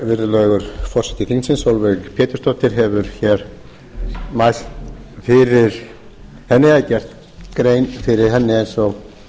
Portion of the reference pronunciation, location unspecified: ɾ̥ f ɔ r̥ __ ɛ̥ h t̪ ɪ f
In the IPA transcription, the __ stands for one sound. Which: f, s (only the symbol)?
s